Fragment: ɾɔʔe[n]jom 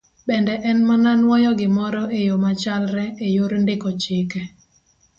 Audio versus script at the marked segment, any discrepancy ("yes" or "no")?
yes